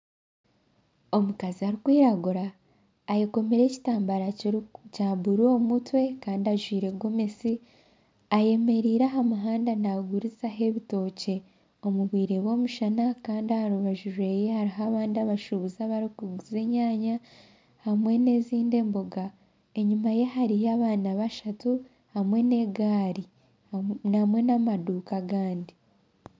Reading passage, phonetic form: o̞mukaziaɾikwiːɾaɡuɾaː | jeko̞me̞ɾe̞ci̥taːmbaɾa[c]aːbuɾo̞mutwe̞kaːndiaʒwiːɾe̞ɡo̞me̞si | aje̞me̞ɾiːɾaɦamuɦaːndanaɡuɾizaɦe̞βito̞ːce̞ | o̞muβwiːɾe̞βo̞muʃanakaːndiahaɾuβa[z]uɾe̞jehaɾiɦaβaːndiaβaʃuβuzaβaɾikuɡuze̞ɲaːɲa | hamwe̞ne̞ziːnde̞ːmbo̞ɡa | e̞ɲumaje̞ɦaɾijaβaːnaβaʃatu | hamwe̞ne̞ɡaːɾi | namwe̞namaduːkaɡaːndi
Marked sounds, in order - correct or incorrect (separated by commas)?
correct, incorrect